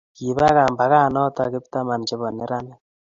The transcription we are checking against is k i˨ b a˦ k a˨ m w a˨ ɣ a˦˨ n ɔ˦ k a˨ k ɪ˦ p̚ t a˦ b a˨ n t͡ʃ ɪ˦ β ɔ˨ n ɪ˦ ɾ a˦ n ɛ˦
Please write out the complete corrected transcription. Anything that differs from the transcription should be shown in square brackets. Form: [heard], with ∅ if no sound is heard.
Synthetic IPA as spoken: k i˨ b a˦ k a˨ m [b] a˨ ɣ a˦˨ n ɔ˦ [t] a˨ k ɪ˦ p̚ t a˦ [m] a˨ n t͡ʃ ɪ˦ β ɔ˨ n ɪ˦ ɾ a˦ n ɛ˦